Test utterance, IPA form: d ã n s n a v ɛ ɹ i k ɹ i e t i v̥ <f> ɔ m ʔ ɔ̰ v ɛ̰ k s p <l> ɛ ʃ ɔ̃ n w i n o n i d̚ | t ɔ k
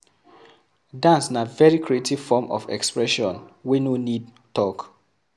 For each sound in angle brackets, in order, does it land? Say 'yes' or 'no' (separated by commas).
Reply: yes, no